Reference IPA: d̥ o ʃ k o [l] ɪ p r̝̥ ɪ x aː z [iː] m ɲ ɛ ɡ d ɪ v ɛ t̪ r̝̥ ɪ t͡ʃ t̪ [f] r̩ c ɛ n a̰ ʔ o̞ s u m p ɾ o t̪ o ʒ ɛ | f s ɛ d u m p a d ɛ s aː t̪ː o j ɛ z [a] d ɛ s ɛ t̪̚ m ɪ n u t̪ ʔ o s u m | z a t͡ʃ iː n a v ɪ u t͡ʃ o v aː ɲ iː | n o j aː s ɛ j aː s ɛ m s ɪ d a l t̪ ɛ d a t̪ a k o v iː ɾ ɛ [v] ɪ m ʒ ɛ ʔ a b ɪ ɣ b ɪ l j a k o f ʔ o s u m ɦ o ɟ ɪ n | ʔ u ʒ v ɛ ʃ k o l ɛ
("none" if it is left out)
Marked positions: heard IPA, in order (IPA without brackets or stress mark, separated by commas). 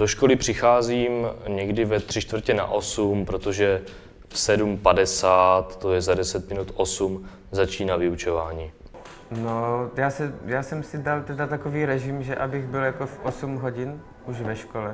l, iː, v, a, ʒ